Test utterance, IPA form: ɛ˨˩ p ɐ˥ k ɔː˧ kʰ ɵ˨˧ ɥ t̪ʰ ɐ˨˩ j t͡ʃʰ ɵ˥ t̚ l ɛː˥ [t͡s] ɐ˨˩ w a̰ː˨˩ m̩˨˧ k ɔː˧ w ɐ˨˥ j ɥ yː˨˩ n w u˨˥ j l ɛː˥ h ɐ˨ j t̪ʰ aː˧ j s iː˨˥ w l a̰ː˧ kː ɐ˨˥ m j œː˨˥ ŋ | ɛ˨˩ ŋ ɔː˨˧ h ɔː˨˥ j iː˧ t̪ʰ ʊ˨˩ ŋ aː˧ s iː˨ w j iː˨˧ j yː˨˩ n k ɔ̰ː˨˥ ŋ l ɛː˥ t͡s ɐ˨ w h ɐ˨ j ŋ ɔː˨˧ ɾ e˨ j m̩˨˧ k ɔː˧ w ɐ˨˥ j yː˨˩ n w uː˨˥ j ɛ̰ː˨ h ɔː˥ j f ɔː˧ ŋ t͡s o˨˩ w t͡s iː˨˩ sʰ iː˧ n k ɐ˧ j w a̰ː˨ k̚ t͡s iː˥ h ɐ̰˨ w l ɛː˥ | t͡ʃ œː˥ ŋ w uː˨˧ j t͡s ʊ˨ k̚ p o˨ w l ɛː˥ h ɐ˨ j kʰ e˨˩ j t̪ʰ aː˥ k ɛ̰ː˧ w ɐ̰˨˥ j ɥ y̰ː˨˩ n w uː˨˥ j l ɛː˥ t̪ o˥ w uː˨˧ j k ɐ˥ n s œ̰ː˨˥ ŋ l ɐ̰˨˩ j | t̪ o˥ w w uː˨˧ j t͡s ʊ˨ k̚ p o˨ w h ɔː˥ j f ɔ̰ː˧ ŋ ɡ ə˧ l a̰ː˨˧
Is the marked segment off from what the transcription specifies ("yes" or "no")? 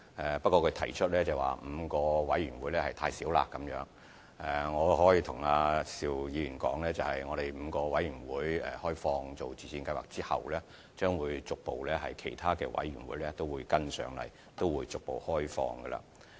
no